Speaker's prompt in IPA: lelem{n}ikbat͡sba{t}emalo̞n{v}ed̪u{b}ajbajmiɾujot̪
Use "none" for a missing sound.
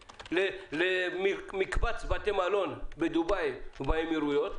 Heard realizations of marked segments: m, t, b, b

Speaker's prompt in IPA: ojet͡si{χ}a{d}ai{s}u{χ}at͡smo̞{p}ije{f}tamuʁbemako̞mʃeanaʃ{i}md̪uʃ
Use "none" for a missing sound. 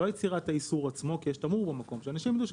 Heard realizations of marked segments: ʁ, t, s, ʁ, k, ʃ, i

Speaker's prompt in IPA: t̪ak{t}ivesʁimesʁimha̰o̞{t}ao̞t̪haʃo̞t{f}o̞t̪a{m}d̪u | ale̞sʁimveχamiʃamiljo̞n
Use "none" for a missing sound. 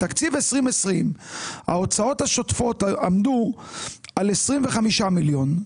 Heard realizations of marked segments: t͡s, t͡s, f, m

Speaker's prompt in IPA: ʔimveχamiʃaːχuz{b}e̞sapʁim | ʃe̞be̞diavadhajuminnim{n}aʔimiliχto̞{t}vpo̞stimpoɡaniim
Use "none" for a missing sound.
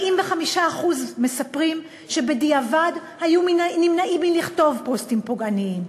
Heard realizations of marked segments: m, n, none

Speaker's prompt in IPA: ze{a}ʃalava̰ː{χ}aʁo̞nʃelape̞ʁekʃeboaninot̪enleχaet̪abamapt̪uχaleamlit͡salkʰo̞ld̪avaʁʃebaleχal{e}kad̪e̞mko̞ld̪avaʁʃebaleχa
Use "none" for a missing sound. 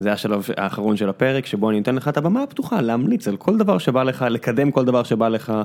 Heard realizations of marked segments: a, χ, e

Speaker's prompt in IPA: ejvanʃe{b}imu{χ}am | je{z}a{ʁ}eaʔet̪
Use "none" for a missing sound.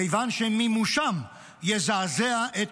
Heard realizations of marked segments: m, ʃ, z, z

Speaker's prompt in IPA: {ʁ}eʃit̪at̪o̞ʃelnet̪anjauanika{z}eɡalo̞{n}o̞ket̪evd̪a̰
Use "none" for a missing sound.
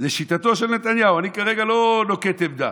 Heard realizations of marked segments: z, ʁ, n

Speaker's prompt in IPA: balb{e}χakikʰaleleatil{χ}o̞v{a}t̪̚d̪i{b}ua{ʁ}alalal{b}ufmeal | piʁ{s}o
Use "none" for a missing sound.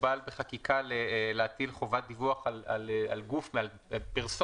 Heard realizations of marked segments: e, χ, a, v, χ, ɡ, s

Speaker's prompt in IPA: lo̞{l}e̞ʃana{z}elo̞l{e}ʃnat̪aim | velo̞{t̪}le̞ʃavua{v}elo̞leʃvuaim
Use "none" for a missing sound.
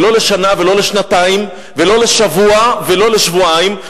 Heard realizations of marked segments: l, v, e, none, v

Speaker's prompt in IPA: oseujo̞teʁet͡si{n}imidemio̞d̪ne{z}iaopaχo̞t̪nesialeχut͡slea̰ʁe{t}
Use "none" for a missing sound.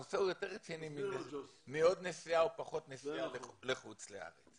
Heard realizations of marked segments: n, s, t͡s

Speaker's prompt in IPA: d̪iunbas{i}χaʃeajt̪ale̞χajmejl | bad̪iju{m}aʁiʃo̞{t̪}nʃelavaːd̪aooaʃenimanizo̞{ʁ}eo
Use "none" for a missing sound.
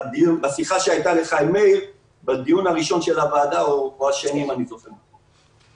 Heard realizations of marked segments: i, n, none, χ

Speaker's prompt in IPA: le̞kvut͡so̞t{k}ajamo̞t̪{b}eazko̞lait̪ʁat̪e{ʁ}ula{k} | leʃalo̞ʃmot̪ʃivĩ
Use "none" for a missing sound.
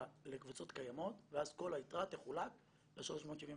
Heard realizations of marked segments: k, v, χ, k

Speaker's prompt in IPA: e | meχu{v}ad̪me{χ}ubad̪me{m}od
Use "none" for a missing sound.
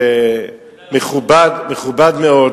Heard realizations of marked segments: b, χ, none

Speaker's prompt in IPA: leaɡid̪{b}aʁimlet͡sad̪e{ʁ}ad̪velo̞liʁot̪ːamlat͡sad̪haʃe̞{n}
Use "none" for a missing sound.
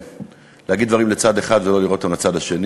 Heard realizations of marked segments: v, χ, n

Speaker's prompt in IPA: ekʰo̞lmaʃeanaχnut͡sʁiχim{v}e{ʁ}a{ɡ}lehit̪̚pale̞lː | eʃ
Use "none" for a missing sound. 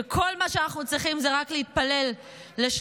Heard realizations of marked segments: z, ʁ, k

